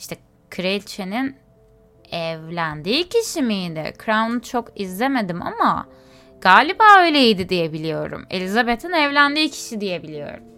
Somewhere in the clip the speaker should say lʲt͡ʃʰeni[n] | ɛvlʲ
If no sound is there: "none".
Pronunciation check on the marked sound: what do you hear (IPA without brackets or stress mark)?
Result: n